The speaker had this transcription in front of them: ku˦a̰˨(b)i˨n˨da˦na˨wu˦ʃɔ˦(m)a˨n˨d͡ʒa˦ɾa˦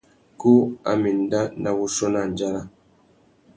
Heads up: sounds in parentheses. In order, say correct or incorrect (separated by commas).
incorrect, incorrect